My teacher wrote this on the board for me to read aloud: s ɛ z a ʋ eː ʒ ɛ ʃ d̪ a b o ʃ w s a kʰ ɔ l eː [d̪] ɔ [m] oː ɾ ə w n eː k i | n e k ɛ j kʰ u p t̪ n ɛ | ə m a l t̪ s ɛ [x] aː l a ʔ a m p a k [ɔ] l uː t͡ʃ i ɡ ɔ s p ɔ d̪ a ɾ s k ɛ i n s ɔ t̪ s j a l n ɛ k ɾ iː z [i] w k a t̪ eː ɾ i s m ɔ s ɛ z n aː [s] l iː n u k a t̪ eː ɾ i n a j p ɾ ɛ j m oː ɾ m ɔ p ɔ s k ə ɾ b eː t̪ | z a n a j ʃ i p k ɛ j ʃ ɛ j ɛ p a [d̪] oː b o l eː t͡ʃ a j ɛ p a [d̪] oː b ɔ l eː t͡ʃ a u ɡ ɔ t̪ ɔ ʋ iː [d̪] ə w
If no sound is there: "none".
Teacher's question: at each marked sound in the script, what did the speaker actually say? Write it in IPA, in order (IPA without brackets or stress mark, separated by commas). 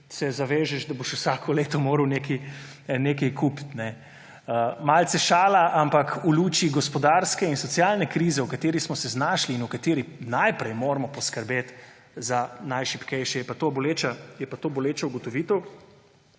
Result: t̪, m, ʃ, u, ɛ, ʃ, t̪, t̪, t̪